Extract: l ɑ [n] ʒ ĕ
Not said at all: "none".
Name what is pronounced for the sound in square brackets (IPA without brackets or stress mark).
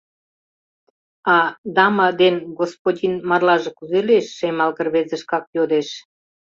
none